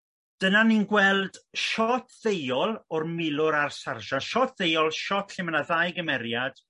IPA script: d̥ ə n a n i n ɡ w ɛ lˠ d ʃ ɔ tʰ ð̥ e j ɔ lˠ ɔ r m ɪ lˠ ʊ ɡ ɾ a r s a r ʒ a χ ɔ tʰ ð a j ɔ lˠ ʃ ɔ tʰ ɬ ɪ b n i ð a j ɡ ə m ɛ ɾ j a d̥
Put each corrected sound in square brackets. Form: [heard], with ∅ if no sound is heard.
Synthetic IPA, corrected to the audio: d̥ ə n a n i n ɡ w ɛ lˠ d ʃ ɔ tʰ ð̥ e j ɔ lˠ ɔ r m ɪ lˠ ʊ [∅] ɾ a r s a r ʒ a [ʃ] ɔ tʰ ð [e] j ɔ lˠ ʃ ɔ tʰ ɬ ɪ [m] n [a] ð a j ɡ ə m ɛ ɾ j a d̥